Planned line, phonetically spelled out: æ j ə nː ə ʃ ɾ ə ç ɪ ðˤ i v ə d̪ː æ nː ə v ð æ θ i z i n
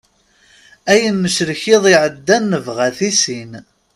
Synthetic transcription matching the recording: æ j ə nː ə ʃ ɾ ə ç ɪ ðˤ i ʕ ə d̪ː æ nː ə v ʁ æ θ i s i n

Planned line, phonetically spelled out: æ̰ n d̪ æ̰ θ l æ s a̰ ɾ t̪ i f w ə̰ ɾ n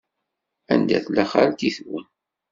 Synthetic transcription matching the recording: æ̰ n d̪ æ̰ θ l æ χ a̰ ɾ t̪ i θ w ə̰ n

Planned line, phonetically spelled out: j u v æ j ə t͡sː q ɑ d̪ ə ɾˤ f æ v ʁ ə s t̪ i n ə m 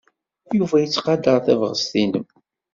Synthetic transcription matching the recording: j u v æ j ə t͡sː q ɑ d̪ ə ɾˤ θ æ v ʁ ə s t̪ i n ə m

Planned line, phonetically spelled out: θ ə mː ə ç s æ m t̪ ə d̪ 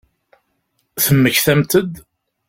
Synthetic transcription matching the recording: θ ə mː ə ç θ æ m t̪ ə d̪

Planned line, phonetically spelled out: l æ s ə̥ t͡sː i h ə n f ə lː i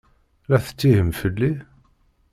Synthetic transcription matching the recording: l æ θ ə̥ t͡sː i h ə m f ə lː i

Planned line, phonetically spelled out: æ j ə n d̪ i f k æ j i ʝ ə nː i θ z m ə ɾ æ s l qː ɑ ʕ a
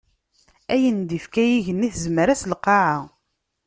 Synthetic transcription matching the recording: æ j ə n d̪ i f k æ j i ʝ ə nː i θ z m ə ɾ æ s l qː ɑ ʕ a

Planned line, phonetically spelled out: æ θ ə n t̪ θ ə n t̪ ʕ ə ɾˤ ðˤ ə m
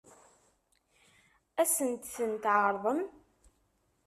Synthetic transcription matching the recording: æ s ə n t̪ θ ə n t̪ ʕ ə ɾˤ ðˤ ə m

